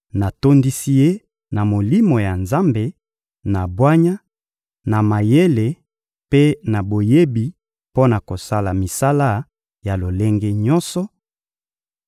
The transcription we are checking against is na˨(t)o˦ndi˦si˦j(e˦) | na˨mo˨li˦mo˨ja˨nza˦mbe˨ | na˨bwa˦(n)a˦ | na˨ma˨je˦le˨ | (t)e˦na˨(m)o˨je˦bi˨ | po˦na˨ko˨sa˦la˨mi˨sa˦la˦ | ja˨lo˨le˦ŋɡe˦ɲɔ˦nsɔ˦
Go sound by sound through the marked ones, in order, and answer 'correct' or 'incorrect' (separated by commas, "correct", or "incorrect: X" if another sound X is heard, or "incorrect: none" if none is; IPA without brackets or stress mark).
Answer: correct, correct, incorrect: ɲ, incorrect: p, incorrect: b